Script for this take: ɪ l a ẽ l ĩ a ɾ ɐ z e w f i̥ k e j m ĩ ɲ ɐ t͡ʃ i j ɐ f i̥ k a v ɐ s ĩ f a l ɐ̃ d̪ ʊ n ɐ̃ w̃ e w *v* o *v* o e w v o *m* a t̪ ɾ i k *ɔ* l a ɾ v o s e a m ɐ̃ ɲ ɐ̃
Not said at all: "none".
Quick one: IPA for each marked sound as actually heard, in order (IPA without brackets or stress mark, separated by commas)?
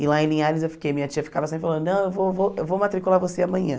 v, v, m, u